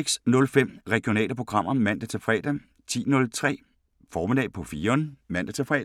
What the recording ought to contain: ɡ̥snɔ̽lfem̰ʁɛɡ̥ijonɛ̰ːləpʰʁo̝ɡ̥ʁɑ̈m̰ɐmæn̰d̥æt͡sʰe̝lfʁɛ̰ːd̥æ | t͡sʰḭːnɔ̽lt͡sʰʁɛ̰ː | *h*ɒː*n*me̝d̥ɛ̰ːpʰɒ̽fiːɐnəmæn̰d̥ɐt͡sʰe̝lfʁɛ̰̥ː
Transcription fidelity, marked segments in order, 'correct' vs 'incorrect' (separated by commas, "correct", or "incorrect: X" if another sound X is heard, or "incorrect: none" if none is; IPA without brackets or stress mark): incorrect: f, incorrect: none